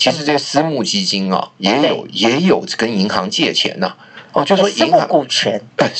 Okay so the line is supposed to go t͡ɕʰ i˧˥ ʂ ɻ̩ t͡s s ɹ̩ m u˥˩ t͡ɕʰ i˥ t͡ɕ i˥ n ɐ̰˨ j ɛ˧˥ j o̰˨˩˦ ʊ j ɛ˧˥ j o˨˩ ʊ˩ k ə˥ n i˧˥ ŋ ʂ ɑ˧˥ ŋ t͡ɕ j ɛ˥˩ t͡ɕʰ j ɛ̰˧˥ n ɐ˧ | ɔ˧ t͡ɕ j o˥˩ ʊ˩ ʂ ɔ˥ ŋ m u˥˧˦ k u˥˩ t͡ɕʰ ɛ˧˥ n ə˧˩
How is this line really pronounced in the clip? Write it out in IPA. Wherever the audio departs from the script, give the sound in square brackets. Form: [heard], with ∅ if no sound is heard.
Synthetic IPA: t͡ɕʰ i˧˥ ʂ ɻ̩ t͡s s ɹ̩ m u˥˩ [t͡ɕ] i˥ t͡ɕ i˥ n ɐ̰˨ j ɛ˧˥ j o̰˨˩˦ ʊ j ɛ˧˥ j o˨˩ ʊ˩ k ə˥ n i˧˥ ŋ [x] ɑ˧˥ ŋ t͡ɕ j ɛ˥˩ t͡ɕʰ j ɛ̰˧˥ n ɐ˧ | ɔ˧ t͡ɕ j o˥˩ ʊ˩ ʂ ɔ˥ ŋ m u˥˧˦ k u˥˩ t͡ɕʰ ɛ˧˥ n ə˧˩